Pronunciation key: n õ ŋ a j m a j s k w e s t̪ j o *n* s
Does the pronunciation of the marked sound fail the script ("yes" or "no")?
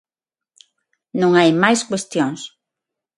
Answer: yes